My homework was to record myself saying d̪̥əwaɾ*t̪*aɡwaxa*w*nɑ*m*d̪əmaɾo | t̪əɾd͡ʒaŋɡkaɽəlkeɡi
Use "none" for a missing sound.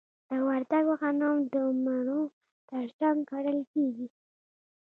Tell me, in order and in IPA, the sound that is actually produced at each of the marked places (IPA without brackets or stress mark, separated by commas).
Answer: d̪, none, m